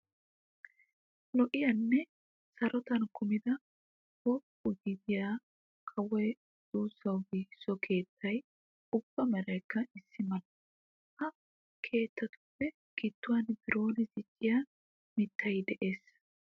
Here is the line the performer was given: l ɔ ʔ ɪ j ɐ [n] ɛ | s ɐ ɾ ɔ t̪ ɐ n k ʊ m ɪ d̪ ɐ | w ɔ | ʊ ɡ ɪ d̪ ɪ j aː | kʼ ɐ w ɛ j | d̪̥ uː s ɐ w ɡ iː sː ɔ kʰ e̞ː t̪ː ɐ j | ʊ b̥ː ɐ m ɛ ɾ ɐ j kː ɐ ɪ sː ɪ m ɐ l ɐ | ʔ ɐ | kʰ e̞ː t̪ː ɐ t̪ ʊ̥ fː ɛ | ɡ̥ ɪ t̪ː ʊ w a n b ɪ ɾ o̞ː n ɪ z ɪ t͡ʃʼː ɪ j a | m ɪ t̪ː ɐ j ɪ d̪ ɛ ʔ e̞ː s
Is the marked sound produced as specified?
no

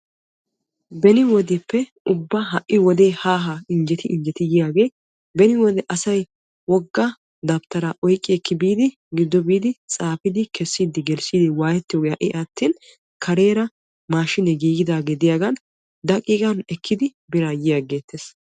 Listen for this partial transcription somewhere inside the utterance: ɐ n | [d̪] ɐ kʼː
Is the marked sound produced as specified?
yes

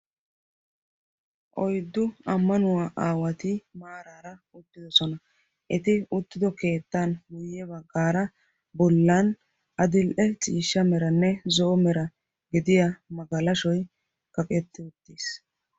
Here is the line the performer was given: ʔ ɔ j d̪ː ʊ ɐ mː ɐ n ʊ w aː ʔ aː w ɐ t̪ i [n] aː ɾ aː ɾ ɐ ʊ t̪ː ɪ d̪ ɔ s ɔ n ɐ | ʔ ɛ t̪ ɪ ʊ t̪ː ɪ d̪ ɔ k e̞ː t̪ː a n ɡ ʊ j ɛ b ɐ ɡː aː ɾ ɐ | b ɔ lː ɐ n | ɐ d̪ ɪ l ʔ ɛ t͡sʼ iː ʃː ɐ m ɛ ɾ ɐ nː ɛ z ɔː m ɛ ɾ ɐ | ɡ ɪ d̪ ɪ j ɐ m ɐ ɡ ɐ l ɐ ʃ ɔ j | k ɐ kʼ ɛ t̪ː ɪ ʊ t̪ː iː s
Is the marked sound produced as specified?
no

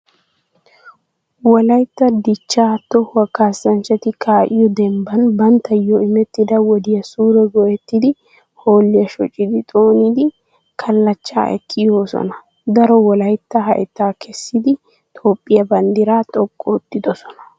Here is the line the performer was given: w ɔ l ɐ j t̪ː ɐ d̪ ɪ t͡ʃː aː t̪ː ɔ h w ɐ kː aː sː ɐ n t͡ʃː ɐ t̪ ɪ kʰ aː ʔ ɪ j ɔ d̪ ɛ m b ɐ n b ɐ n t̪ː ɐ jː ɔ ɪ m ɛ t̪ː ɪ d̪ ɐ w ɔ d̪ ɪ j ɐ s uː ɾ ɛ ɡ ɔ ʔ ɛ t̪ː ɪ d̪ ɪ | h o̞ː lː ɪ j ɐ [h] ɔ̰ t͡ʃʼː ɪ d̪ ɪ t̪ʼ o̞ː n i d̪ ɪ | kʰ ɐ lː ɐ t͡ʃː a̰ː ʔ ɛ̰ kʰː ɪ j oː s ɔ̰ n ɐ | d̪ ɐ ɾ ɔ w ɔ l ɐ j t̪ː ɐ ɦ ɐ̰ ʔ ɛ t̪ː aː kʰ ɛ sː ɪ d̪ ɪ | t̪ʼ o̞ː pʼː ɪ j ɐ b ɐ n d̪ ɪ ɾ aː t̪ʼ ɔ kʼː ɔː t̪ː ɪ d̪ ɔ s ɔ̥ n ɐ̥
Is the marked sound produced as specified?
no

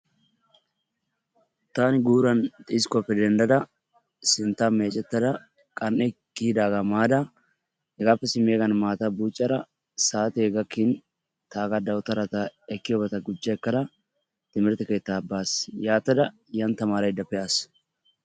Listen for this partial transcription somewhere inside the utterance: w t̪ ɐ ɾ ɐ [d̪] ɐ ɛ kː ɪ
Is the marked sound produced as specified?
no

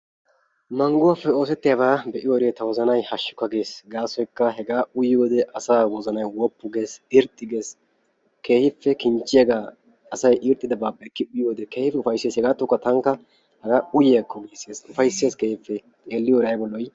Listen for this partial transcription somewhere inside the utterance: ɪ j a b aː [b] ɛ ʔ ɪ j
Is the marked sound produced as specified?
yes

